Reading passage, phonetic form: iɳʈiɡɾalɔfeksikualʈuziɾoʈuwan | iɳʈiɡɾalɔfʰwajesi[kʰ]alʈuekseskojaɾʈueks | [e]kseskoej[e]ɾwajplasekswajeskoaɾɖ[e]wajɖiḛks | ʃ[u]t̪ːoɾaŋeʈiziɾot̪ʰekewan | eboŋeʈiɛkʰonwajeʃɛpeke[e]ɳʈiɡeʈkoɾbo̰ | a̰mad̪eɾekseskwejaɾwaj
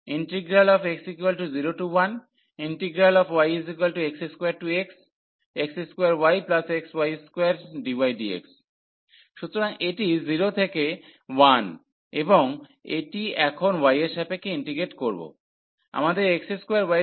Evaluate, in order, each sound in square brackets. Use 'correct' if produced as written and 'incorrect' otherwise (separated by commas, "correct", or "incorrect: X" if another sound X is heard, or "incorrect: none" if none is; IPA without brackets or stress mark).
incorrect: k, correct, incorrect: a, incorrect: i, correct, incorrect: i